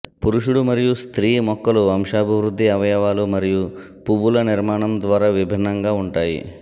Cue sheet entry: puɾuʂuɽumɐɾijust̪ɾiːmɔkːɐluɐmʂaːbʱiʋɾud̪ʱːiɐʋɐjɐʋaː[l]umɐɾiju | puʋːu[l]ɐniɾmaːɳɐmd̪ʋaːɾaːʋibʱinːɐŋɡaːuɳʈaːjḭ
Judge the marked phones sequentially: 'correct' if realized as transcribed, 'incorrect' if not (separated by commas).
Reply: correct, correct